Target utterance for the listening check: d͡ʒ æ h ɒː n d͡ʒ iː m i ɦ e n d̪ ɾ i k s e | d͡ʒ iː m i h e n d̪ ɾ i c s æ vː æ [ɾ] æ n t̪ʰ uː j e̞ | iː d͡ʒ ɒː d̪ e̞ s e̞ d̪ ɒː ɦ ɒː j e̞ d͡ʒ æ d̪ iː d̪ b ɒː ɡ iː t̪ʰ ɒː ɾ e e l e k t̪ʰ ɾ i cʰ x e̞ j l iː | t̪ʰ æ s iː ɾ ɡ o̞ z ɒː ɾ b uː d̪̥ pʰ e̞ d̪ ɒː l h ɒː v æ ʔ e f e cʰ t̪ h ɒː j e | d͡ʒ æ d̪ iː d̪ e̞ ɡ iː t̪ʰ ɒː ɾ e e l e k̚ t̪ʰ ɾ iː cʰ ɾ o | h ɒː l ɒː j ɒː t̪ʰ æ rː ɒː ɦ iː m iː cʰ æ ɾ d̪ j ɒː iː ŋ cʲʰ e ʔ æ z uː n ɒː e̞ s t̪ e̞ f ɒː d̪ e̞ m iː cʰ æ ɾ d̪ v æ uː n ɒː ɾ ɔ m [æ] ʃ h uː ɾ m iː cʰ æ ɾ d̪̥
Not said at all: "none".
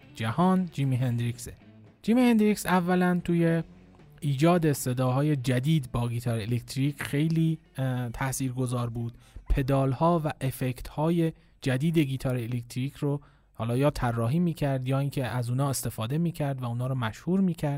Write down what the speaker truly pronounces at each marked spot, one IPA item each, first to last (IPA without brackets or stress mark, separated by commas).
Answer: l, æ